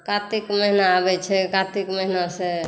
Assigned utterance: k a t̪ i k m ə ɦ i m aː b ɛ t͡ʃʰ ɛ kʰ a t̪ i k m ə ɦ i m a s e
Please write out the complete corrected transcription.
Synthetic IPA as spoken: k a t̪ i k m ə ɦ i n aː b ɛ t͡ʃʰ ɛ k a t̪ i k m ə ɦ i n a s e